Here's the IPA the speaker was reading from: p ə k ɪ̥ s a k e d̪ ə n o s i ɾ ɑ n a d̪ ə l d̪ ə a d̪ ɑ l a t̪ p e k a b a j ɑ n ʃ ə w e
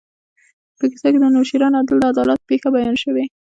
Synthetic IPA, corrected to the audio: p ə k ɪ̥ s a k e d̪ ə n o ʃ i ɾ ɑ n a d̪ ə l d̪ ə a d̪ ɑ l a t̪ p e x a b a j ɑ n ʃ ə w e